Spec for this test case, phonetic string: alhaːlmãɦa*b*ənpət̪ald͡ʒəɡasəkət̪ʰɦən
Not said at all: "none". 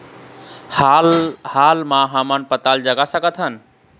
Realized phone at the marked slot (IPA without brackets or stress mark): m